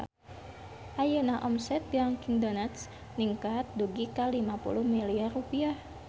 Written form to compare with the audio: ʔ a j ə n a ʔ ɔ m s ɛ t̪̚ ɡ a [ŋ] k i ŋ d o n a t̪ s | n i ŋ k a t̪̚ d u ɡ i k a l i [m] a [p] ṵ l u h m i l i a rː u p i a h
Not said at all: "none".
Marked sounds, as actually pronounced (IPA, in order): ŋ, m, p

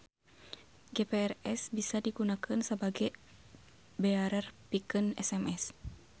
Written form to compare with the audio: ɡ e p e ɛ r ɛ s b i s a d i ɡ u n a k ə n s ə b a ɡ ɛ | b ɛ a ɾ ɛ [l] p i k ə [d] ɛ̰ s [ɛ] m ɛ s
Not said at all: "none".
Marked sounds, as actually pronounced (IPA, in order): r, n, ɛ

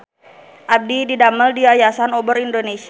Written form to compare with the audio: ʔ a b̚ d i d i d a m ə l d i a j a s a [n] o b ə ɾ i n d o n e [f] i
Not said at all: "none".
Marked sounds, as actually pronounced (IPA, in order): n, s

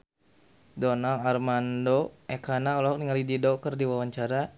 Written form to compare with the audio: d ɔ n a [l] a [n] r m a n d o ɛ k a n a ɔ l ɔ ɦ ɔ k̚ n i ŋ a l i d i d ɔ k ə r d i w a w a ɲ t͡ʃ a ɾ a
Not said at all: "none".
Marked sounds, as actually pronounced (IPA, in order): l, none

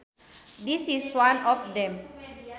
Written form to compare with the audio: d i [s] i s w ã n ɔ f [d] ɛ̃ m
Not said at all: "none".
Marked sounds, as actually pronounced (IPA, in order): s, d

